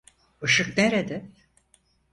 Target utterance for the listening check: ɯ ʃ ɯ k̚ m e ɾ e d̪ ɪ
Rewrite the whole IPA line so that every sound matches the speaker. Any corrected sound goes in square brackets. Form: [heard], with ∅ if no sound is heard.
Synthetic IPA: ɯ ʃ ɯ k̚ [n] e ɾ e d̪ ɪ